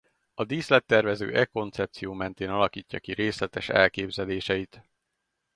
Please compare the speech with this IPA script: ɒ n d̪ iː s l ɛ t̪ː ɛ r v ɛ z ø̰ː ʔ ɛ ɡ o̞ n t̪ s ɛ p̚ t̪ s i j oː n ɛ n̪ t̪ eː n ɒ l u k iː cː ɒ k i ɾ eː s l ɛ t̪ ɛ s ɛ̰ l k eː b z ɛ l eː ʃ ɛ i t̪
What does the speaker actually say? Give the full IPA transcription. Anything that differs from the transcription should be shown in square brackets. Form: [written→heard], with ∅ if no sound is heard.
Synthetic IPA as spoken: ɒ [n→∅] d̪ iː s l ɛ t̪ː ɛ r v ɛ z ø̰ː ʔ ɛ [ɡ→k] o̞ n t̪ s ɛ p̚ t̪ s i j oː [n→m] ɛ n̪ t̪ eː n ɒ l [u→ɒ] k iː cː ɒ k i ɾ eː s l ɛ t̪ ɛ [s→ʃ] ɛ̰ l k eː b z ɛ l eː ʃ ɛ i t̪